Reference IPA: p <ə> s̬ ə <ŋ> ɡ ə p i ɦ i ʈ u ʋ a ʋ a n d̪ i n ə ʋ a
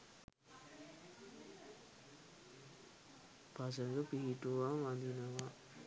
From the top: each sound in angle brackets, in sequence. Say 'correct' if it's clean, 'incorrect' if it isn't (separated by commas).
incorrect, correct